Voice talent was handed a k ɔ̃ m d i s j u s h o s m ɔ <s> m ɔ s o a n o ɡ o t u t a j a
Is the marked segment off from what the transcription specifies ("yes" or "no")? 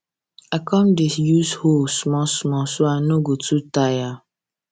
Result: no